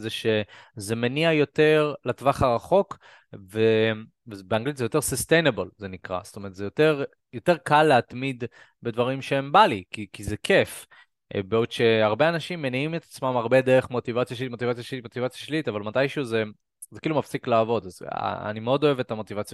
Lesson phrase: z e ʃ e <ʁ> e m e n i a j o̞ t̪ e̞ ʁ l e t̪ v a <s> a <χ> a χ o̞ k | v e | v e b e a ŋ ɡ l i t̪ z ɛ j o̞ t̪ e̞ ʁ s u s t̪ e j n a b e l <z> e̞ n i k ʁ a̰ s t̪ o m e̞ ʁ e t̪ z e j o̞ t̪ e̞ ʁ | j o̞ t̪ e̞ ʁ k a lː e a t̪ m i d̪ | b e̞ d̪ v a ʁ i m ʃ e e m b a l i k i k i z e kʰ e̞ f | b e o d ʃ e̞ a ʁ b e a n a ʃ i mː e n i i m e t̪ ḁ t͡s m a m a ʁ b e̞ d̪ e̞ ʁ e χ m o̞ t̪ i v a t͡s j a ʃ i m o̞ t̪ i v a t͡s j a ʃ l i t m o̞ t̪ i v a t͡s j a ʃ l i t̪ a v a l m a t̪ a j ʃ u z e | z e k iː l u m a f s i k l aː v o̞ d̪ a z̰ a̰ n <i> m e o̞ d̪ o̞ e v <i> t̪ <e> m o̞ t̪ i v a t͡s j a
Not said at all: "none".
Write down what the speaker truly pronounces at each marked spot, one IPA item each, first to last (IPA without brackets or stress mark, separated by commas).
z, χ, ʁ, z, i, e, a